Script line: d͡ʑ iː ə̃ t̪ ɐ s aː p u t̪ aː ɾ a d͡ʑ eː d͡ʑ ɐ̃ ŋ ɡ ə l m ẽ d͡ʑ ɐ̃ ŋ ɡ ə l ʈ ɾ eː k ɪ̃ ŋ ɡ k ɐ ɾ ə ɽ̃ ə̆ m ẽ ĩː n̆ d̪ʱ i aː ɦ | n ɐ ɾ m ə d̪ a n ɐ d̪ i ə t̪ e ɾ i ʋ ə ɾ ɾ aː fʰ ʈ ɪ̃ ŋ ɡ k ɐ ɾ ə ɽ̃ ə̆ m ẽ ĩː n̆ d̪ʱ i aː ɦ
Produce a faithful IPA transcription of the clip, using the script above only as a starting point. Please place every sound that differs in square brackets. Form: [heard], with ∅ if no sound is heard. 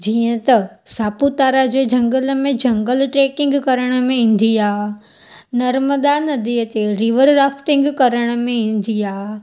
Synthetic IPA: d͡ʑ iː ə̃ t̪ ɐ s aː p u t̪ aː ɾ a d͡ʑ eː d͡ʑ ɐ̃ ŋ ɡ ə l m ẽ d͡ʑ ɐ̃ ŋ ɡ ə l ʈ ɾ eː k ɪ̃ ŋ ɡ k ɐ ɾ ə ɽ̃ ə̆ m ẽ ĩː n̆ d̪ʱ i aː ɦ | n ɐ ɾ m ə d̪ a n ɐ d̪ i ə t̪ e ɾ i ʋ ə ɾ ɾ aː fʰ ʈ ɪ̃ ŋ ɡ k ɐ ɾ ə ɽ̃ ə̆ m ẽ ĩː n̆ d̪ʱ i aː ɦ